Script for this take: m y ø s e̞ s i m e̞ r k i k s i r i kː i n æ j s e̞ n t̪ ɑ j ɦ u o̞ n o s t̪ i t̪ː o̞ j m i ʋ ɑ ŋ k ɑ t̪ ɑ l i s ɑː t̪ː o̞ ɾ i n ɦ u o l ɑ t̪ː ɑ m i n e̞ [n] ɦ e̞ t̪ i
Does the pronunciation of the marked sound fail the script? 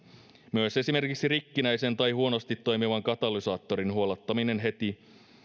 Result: no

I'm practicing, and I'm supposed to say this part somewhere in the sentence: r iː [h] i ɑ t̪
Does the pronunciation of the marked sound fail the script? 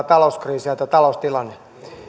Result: yes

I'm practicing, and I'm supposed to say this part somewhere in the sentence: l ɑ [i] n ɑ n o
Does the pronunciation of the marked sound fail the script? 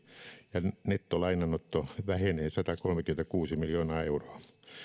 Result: no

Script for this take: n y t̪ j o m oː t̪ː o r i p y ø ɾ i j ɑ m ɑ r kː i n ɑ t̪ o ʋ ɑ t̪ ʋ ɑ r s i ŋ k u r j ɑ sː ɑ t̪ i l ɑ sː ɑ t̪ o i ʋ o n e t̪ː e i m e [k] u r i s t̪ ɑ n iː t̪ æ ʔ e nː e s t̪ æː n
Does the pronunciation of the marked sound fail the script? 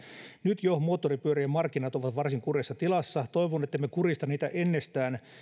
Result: no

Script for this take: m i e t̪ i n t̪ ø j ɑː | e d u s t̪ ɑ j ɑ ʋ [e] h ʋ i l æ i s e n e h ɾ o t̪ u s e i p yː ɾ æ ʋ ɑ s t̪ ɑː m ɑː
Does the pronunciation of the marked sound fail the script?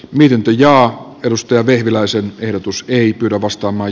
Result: no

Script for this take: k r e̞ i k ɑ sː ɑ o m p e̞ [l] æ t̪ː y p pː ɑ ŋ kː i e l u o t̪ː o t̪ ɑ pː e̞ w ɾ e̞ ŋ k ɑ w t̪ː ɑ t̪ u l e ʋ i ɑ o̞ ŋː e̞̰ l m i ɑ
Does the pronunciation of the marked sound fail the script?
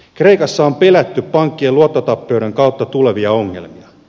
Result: no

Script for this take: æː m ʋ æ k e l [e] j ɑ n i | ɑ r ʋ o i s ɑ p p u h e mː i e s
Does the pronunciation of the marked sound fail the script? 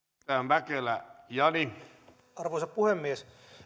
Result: yes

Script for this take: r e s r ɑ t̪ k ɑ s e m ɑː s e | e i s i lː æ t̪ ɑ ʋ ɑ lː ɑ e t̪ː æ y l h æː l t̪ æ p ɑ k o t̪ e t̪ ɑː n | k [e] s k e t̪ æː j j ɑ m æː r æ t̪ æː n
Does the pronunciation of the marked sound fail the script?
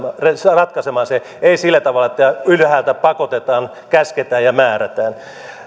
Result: yes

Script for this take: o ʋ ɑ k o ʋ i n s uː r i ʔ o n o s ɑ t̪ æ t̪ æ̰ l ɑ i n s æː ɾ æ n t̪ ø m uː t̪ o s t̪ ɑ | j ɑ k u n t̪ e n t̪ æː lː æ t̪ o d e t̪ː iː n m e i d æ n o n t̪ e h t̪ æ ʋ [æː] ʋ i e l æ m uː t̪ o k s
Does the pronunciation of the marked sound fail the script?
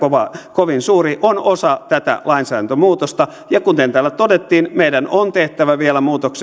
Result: yes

